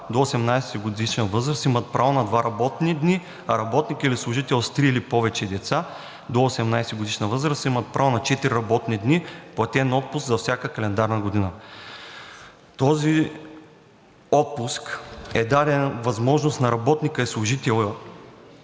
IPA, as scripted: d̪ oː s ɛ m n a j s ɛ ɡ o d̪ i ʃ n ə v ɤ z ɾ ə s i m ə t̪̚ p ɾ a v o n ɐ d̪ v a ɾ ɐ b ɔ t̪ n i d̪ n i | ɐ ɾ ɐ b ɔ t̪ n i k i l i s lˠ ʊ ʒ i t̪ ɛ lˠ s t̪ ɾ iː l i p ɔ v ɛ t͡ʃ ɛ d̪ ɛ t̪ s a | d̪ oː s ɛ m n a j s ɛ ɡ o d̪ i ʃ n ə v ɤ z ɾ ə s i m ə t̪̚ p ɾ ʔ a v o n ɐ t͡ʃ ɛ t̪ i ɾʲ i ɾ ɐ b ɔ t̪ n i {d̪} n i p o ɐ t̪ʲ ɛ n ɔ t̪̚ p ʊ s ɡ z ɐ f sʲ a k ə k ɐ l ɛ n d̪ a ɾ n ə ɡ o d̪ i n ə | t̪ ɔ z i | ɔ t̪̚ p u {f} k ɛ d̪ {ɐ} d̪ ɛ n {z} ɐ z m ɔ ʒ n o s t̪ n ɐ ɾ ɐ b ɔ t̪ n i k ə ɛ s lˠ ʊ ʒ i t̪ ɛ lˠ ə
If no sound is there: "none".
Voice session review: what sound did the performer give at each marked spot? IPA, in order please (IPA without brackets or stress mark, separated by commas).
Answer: d̪, s, a, v